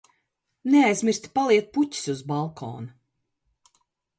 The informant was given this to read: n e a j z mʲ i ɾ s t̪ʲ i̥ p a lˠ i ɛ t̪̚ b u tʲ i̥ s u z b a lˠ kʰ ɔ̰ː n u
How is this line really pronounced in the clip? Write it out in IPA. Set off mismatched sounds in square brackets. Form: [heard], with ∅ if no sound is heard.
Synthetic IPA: n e a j z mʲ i ɾ s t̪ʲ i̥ p a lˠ i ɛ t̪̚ [p] u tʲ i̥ s u z b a lˠ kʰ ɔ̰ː n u